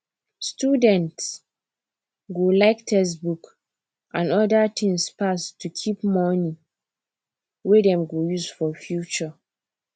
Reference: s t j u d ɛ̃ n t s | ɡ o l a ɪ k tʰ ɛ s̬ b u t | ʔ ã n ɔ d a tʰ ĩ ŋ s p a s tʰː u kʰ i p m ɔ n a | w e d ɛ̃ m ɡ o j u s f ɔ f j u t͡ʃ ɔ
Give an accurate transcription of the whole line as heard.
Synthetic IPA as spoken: s t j u d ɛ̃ n t s | ɡ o l a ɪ k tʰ ɛ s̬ b u k | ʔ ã n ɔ d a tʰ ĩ ŋ s p a s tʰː u kʰ i p m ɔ n i | w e d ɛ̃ m ɡ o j u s f ɔ f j u t͡ʃ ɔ